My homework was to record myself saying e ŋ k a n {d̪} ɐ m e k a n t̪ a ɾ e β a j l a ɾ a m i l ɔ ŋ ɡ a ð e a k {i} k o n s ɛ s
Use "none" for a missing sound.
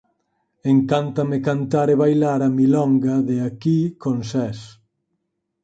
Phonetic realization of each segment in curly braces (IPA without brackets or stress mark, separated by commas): t̪, i